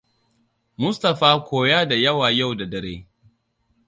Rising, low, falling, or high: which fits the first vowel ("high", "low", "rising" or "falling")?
high